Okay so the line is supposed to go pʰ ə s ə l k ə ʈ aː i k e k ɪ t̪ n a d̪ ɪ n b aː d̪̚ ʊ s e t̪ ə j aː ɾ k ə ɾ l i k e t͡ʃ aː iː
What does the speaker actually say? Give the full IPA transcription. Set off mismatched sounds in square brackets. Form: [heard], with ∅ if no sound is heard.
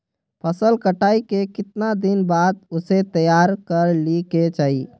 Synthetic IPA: pʰ ə s ə l k ə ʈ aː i k e k ɪ t̪ n a d̪ ɪ n b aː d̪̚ ʊ s e t̪ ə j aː ɾ k ə ɾ l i k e t͡ʃ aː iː

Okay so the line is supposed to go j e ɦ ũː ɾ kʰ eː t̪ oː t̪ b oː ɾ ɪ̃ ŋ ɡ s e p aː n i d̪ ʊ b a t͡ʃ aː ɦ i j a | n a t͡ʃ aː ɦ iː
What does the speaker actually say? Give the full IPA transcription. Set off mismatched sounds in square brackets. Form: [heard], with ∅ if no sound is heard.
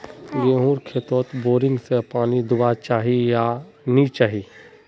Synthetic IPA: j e ɦ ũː ɾ kʰ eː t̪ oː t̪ b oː ɾ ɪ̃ ŋ ɡ s e p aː n i d̪ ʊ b a t͡ʃ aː ɦ i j a | n [i] t͡ʃ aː ɦ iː

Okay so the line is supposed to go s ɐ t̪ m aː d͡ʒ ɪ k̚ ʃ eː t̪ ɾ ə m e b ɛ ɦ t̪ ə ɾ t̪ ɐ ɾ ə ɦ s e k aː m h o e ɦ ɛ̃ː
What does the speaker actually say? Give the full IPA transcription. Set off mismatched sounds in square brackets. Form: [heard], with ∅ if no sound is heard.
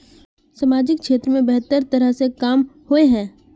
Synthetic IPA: s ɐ [∅] m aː d͡ʒ ɪ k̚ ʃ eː t̪ ɾ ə m [ẽ] b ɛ ɦ t̪ ə ɾ t̪ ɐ ɾ ə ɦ s e k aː m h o e ɦ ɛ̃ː

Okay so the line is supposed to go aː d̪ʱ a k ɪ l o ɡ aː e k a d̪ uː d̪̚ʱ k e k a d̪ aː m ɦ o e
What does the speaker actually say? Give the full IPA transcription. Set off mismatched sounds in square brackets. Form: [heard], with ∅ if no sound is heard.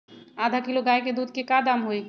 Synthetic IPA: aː d̪ʱ a k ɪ l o ɡ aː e k [e] d̪ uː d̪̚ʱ k e k a d̪ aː m ɦ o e

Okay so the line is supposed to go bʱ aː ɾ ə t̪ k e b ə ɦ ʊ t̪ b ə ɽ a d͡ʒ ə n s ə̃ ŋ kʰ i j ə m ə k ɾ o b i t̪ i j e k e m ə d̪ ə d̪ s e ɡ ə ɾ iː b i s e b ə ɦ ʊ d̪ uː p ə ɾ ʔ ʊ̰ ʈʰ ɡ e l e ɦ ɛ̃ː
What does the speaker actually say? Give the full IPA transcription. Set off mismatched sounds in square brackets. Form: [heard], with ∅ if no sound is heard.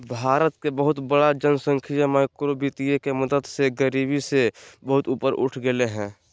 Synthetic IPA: bʱ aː ɾ ə t̪ k e b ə ɦ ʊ t̪ b ə ɽ a d͡ʒ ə n s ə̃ ŋ kʰ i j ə m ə k ɾ o b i t̪ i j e k e m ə d̪ ə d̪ s e ɡ ə ɾ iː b i s e b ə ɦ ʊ [t̪] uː p ə ɾ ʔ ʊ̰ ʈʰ ɡ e l e ɦ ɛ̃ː

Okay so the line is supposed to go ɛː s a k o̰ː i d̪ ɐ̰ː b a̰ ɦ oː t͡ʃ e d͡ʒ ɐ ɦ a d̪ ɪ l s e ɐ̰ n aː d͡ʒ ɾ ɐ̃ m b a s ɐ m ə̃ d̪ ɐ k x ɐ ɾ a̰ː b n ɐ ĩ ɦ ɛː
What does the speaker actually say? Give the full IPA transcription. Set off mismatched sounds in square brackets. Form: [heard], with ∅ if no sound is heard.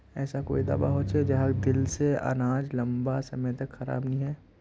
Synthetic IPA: ɛː s a k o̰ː i d̪ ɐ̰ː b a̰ ɦ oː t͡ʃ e d͡ʒ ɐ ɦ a d̪ ɪ l s e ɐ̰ n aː d͡ʒ [l] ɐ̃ m b a s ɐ m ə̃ [t̪] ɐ k x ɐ ɾ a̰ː b n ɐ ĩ ɦ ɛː

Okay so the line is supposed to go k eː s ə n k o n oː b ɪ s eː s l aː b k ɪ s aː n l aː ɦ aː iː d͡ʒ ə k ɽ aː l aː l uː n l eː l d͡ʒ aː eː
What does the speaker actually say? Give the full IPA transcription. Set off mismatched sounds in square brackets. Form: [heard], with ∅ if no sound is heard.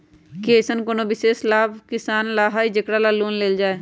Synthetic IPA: k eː s ə n k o n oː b ɪ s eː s l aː b k ɪ s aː n l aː ɦ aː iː d͡ʒ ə k ɽ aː l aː l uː n l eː l d͡ʒ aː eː

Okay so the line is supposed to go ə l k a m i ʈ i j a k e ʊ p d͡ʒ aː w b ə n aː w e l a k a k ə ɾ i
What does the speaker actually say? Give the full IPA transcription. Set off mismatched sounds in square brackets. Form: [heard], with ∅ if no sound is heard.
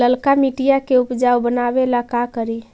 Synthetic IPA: ə l k a m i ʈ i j a k e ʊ p d͡ʒ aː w b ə n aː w e l a k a k ə ɾ i

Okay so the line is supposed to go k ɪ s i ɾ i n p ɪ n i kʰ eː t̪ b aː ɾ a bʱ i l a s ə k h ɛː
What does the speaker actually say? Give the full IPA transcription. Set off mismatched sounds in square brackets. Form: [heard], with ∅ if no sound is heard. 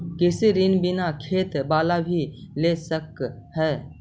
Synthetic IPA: k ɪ s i ɾ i n [b] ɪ n [a] kʰ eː t̪ b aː [l] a bʱ i l [e] s ə k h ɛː

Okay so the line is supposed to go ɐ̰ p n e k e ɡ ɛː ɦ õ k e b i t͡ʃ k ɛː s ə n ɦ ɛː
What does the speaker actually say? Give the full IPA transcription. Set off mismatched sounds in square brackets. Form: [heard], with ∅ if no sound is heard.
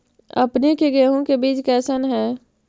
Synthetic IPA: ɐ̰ p n e k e ɡ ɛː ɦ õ k e b [iː] t͡ʃ k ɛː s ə n ɦ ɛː

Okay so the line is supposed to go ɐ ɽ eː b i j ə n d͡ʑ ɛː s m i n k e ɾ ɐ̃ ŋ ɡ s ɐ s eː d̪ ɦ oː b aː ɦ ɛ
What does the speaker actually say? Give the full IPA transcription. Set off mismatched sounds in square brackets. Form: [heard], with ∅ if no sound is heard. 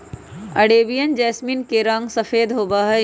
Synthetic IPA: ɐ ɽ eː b i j ə n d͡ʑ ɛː s m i n k e ɾ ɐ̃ ŋ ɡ s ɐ [f] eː d̪ ɦ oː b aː ɦ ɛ

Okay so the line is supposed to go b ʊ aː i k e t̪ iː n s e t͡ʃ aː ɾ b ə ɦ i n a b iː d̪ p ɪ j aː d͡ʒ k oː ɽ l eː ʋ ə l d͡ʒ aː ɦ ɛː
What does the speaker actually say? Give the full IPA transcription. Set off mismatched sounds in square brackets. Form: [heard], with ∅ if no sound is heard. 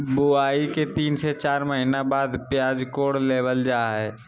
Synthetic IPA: b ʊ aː i k e t̪ iː n s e t͡ʃ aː ɾ [m] ə ɦ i n a b [aː] d̪ p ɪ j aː d͡ʒ k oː ɽ l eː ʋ ə l d͡ʒ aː ɦ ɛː

